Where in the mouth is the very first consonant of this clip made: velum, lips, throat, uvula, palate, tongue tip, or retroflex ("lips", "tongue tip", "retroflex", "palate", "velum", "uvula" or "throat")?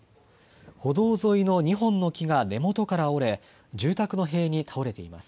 throat